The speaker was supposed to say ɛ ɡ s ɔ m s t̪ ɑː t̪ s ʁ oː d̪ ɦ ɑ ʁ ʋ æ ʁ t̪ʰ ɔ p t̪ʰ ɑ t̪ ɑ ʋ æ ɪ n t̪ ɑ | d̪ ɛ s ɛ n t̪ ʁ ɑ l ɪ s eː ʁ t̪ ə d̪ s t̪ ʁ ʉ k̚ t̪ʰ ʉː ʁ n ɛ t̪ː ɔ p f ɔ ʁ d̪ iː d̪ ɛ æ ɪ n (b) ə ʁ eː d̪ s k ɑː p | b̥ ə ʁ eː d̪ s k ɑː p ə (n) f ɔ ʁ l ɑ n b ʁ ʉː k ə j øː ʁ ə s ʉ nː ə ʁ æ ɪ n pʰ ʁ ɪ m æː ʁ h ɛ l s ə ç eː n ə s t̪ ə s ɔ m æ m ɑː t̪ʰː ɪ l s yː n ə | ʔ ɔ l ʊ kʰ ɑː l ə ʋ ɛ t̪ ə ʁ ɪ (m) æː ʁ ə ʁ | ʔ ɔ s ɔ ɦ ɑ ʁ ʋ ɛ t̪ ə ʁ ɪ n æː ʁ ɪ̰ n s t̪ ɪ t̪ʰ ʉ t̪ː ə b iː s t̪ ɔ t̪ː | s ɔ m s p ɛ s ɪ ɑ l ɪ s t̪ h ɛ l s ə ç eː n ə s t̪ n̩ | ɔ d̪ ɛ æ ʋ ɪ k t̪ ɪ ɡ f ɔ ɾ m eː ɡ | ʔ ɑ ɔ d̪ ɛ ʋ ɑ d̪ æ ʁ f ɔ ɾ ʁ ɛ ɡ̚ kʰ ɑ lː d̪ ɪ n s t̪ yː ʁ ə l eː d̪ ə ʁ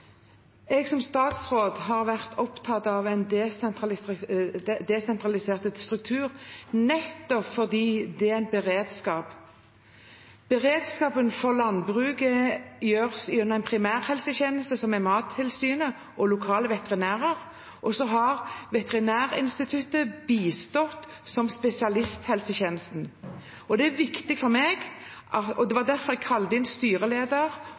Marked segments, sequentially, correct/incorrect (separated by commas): correct, correct, incorrect